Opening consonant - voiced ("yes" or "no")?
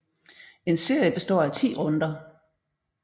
yes